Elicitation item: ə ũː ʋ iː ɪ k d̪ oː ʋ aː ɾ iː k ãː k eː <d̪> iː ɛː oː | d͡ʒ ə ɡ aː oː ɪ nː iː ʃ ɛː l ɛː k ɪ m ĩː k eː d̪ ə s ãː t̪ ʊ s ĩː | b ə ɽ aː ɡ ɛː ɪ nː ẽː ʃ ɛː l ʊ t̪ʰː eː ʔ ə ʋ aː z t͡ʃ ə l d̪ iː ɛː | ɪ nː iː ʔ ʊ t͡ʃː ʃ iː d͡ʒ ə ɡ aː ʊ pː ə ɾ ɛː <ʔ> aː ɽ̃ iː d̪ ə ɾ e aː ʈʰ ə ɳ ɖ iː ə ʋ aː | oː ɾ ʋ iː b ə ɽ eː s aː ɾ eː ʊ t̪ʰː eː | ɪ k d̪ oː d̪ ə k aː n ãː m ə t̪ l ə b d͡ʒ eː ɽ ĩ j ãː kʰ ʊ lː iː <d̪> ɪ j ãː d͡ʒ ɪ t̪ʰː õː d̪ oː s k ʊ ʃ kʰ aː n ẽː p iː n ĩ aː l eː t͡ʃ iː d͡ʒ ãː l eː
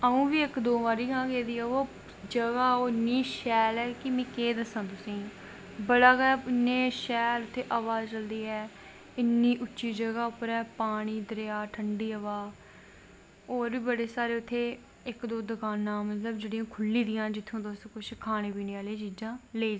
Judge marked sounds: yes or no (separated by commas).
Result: yes, no, yes